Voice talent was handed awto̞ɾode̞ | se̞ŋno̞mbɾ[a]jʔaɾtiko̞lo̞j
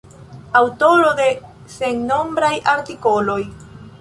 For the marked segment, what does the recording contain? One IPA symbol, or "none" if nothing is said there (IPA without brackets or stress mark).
a